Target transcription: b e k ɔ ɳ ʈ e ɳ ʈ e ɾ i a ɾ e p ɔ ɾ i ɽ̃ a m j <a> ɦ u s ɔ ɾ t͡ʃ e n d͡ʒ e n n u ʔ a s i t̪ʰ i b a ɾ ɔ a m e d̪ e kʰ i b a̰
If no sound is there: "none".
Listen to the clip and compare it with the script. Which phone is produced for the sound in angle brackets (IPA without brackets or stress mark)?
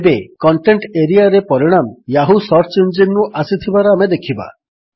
a